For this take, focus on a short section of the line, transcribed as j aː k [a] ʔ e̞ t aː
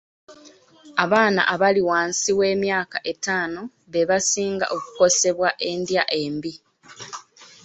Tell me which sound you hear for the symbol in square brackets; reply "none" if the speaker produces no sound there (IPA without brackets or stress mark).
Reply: a